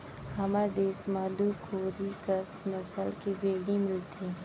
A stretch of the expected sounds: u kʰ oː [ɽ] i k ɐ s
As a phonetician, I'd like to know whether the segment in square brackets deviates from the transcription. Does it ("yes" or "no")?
yes